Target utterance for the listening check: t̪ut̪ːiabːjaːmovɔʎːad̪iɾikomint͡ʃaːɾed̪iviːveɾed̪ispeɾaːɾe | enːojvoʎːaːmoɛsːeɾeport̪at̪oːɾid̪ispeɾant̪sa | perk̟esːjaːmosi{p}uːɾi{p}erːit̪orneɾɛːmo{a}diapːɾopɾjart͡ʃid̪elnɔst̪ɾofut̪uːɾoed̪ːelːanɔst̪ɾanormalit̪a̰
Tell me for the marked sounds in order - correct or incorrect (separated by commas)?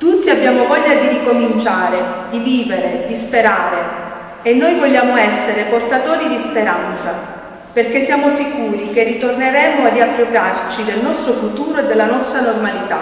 incorrect, incorrect, correct